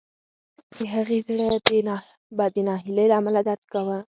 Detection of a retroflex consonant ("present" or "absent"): present